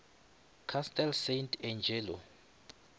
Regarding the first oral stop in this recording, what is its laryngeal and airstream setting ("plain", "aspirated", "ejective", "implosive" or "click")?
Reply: aspirated